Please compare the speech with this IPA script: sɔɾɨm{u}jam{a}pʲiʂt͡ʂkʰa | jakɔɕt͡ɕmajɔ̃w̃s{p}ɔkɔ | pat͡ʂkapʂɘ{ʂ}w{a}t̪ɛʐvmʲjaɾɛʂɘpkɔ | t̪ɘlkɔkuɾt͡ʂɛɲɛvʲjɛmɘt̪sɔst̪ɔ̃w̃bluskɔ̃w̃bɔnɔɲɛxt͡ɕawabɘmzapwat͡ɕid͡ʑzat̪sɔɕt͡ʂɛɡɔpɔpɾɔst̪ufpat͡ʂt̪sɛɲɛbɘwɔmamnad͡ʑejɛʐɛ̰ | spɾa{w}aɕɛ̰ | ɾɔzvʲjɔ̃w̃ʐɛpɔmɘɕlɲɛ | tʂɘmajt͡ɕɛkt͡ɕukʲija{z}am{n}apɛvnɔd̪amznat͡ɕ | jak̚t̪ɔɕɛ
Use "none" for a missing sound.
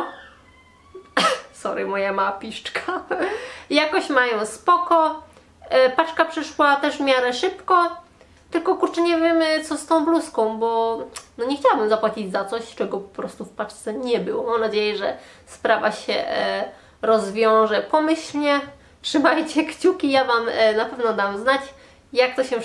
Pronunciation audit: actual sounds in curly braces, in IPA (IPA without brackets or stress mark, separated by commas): ɔ, a, p, ʂ, a, v, v, n